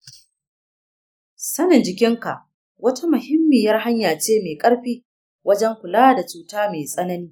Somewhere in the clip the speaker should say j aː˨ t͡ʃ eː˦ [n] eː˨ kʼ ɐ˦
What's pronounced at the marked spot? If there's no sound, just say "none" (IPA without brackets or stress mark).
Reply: m